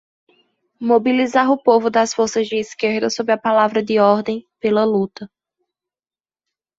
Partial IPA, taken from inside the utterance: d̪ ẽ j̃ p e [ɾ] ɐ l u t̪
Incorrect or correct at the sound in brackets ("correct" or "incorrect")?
incorrect